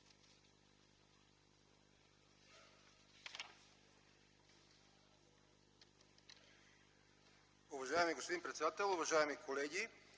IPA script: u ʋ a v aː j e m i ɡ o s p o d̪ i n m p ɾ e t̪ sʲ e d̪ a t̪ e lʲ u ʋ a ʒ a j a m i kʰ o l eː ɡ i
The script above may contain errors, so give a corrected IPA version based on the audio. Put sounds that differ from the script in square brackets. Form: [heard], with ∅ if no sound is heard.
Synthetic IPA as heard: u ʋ a [ʒ] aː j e m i ɡ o s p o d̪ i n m p ɾ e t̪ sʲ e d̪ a t̪ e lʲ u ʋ a ʒ a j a m i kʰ o l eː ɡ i